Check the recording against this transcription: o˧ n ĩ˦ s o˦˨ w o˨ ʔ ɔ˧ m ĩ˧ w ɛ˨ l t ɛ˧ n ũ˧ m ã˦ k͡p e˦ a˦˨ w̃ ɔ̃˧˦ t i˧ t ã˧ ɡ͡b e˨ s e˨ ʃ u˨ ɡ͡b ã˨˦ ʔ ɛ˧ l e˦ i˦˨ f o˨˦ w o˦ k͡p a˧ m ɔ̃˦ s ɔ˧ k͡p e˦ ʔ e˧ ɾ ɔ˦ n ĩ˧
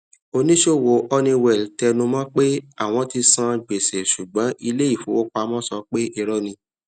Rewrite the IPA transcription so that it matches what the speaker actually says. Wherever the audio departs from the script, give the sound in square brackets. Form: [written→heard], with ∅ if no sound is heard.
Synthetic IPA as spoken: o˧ n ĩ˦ [s→ʃ] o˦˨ w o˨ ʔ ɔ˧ [m→n] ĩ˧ w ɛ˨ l t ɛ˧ n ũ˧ m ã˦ k͡p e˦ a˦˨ w̃ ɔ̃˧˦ t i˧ [t→s] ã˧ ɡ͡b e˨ s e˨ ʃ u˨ ɡ͡b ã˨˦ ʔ [ɛ˧→i˧] l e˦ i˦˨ f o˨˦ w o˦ k͡p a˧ m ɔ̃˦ s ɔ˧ k͡p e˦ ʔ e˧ ɾ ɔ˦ n ĩ˧